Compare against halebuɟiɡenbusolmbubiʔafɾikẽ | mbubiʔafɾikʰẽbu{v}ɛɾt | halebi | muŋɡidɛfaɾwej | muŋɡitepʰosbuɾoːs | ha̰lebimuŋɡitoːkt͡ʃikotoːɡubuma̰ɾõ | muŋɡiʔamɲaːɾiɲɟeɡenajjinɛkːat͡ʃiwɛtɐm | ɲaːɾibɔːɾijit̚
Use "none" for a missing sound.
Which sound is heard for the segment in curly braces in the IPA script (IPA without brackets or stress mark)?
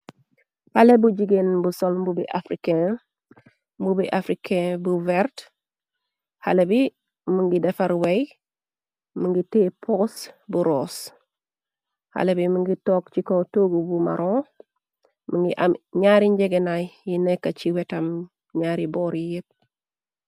v